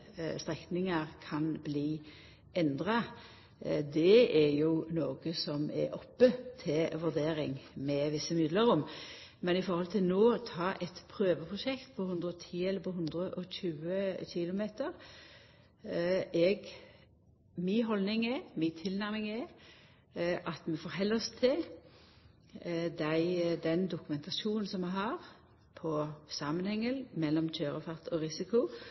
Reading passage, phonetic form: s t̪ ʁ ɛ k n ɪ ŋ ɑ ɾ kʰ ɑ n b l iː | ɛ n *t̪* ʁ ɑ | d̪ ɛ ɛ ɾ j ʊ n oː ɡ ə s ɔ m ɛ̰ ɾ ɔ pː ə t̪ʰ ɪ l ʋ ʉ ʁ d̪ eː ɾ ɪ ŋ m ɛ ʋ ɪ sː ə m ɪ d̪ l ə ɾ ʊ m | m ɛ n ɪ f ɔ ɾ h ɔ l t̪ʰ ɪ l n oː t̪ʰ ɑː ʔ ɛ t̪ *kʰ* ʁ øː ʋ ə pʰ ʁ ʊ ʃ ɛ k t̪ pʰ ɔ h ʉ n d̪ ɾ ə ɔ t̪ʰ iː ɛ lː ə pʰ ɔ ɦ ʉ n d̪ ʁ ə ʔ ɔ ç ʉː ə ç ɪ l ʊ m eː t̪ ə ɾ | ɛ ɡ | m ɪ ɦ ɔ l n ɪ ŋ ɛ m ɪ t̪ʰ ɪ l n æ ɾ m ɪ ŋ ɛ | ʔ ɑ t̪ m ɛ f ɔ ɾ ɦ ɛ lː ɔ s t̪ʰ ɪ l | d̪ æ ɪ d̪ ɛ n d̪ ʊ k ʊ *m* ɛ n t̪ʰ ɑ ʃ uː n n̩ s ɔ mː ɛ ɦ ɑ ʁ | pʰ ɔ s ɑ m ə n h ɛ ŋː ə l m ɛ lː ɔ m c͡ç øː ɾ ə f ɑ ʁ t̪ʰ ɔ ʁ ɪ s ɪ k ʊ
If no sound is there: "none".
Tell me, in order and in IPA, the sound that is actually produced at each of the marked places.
d̪, pʰ, m

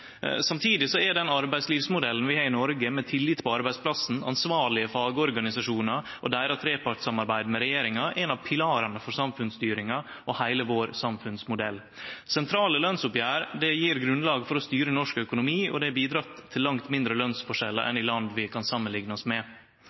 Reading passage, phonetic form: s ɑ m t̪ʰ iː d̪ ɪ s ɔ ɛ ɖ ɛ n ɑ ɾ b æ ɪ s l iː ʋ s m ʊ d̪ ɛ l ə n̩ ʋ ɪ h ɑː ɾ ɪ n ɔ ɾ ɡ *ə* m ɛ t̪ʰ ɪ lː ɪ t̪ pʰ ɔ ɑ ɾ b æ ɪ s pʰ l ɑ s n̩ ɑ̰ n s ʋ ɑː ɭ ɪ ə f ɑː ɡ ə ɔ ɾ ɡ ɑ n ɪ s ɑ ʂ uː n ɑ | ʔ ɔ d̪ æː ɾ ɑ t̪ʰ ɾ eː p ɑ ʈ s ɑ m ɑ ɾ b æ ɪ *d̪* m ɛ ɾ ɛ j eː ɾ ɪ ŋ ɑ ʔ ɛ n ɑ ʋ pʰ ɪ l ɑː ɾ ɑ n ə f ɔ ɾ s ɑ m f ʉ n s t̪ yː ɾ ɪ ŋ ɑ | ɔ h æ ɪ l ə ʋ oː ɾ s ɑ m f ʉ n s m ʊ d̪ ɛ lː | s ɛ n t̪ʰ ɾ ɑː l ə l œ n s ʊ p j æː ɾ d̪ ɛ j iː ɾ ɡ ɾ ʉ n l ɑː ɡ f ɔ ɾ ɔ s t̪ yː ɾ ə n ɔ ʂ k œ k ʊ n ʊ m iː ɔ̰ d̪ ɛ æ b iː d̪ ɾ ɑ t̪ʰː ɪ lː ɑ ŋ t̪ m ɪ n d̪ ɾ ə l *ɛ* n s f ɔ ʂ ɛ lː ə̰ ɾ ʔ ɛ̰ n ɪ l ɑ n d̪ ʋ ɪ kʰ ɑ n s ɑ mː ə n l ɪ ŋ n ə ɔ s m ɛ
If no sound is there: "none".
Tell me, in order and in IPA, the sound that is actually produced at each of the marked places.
ə, d̪, œ

